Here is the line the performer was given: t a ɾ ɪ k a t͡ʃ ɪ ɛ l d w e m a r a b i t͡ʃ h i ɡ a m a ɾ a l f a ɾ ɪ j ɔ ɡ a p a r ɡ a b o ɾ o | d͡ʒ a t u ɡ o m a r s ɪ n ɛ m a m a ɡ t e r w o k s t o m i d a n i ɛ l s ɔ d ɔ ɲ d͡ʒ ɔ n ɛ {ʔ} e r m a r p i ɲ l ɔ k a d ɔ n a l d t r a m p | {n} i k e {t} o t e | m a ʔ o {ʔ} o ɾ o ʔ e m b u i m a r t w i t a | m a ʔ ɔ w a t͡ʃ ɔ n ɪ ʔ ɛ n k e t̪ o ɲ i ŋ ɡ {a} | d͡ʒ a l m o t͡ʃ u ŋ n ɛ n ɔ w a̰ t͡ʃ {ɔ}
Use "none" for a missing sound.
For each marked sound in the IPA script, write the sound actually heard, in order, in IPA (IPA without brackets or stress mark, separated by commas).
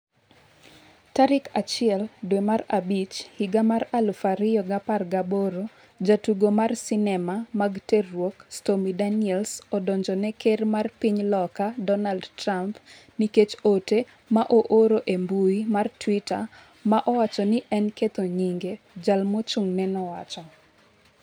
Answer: k, n, t͡ʃ, ʔ, e, ɔ